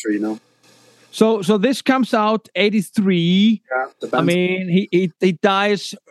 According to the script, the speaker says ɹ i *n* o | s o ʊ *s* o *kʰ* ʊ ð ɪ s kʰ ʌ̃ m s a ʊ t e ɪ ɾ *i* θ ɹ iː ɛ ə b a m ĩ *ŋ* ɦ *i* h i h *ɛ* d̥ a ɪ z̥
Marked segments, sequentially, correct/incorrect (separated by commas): correct, correct, incorrect, correct, incorrect, correct, incorrect